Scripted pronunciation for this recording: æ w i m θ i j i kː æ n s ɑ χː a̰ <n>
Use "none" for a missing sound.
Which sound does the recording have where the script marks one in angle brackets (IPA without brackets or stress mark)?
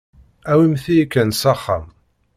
m